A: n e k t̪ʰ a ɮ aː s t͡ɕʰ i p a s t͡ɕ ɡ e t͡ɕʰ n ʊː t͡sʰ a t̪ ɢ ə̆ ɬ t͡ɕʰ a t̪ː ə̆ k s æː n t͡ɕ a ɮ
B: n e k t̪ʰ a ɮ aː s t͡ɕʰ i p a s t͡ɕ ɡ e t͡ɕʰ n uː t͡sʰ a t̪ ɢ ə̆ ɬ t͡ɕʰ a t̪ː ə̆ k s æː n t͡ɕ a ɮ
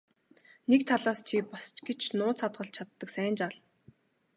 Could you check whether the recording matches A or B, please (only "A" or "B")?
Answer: A